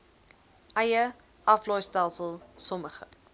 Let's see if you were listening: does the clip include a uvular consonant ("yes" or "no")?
yes